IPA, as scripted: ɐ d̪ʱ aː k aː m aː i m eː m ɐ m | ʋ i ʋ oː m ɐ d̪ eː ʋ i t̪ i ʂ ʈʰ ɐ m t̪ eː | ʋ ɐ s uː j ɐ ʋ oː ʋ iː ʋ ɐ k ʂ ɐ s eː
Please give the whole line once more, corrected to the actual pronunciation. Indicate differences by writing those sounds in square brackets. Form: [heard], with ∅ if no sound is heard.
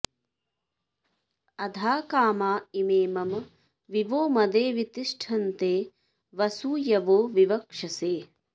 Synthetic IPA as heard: ɐ d̪ʱ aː k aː m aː i m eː m ɐ m | ʋ i ʋ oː m ɐ d̪ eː ʋ i t̪ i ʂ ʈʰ ɐ [n] t̪ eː | ʋ ɐ s uː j ɐ ʋ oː ʋ [i] ʋ ɐ k ʂ ɐ s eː